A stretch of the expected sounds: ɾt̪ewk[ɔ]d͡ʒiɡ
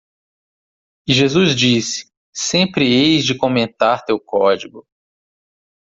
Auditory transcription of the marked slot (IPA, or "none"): ɔ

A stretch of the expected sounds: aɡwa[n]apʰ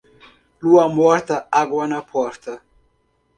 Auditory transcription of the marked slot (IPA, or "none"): n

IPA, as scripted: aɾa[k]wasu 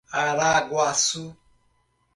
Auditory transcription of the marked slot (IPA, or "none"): ɡ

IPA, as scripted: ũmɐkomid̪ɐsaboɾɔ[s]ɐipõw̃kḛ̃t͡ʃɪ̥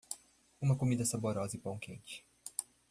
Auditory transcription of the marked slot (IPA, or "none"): z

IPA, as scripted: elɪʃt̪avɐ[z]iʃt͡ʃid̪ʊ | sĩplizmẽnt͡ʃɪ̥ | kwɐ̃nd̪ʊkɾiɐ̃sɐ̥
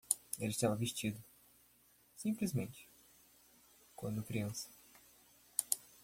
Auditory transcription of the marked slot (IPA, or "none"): v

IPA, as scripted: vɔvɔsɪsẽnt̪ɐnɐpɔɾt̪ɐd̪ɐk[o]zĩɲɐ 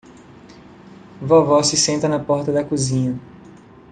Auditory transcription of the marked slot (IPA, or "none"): u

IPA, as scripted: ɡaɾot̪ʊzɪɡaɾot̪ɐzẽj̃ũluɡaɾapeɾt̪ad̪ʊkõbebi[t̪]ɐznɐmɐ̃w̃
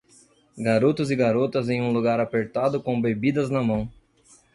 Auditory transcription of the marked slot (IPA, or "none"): d̪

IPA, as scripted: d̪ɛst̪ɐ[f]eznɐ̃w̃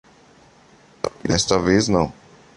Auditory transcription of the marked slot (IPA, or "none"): v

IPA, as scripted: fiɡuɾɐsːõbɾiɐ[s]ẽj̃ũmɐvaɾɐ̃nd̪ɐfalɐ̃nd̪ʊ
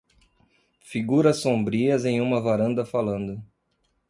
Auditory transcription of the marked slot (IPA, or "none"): z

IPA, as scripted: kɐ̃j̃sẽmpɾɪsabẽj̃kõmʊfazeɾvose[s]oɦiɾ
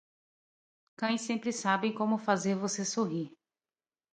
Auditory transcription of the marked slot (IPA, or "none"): s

